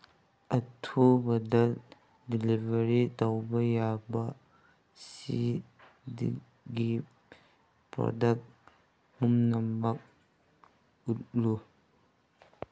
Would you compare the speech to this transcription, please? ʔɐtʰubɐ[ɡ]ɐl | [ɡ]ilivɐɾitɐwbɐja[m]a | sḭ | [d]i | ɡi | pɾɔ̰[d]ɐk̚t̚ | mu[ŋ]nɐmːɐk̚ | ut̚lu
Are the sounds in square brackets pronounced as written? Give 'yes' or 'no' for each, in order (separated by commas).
no, no, no, yes, yes, no